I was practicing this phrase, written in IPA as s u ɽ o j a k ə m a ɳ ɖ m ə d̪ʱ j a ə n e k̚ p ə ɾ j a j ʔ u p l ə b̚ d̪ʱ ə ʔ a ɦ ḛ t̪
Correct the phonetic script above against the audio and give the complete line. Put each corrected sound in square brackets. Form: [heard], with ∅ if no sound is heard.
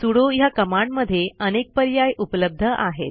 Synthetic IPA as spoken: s u ɽ o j a k ə m a ɳ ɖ m ə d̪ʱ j [e] ə n e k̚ p ə ɾ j a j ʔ u p l ə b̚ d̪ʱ ə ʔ a ɦ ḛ t̪

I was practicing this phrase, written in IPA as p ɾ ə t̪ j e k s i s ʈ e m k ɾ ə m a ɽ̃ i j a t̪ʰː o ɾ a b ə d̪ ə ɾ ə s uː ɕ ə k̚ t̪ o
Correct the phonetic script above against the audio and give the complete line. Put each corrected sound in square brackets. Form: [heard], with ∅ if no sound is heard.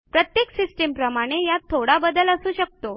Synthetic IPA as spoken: p ɾ ə t̪ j e k s i s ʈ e m [p] ɾ ə m a ɽ̃ [e] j a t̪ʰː o [ɽ] a b ə d̪ ə [l] ə s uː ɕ ə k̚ t̪ o

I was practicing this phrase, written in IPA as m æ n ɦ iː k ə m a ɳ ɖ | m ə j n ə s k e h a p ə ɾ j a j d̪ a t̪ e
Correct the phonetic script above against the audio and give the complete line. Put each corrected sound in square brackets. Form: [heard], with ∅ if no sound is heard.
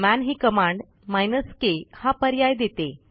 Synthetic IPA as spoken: m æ n ɦ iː k ə m a ɳ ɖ | m [a] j n ə s k e h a p ə ɾ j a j d̪ [e] t̪ e

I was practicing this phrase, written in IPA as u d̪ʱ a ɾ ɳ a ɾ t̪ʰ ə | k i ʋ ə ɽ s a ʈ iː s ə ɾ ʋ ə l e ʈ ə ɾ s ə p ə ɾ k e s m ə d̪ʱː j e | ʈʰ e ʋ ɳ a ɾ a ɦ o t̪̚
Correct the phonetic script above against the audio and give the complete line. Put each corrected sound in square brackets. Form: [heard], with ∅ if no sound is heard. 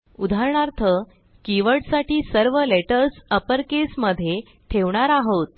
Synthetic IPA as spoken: u d̪ʱ a ɾ ɳ a ɾ t̪ʰ ə | k i ʋ ə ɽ s a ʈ iː s ə ɾ ʋ ə l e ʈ ə ɾ s ə p ə ɾ k e s m ə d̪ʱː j e | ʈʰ e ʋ ɳ a ɾ a ɦ o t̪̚

